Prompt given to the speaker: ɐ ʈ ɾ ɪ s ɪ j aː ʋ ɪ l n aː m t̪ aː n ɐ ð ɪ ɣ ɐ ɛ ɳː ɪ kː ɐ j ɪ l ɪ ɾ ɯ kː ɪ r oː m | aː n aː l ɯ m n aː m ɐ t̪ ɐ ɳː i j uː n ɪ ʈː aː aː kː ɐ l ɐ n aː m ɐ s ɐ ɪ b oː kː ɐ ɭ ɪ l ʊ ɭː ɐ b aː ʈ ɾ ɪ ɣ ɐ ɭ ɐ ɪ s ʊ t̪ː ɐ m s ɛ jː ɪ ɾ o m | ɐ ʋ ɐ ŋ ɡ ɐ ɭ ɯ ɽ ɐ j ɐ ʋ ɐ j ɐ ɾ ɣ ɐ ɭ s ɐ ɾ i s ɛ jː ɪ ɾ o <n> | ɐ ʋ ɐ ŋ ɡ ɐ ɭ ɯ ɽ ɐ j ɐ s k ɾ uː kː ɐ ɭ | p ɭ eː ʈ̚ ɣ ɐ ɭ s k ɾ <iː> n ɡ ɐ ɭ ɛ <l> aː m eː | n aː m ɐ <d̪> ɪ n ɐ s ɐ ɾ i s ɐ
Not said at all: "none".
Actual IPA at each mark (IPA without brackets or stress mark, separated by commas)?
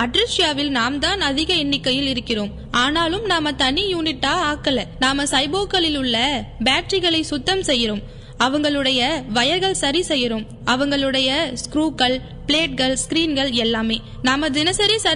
m, iː, lː, d̪